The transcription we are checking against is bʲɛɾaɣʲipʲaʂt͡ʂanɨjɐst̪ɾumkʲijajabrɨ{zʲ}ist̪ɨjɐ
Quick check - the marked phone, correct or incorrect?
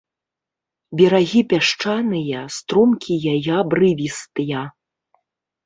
incorrect: vʲ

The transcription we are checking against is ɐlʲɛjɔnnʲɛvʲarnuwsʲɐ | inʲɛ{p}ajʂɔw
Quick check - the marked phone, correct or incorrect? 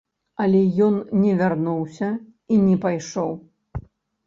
correct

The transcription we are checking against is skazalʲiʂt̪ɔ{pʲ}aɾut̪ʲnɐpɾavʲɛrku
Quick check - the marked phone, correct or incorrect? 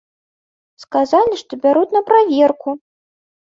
incorrect: bʲ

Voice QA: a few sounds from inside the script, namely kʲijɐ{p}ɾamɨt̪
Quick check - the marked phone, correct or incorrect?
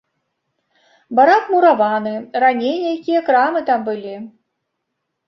incorrect: k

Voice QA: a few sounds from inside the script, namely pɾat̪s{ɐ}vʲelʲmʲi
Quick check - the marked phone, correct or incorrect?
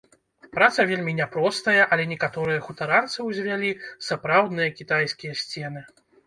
correct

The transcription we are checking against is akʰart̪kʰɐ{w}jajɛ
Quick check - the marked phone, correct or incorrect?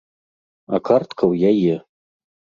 correct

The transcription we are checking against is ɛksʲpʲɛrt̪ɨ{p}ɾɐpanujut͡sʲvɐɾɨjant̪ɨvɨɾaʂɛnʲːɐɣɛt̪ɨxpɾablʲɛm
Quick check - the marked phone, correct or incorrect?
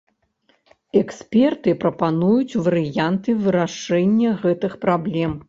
correct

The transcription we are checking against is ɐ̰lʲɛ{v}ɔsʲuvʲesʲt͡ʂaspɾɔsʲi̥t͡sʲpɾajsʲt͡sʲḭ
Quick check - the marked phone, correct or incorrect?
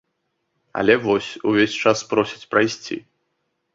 correct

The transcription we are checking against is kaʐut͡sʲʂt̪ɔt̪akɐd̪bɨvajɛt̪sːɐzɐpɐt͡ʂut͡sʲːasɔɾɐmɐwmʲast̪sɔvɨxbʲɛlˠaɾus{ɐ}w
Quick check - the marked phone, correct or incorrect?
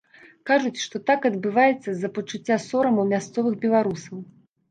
correct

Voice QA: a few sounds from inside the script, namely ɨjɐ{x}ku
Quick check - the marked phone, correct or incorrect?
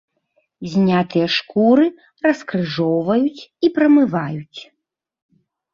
incorrect: ʂ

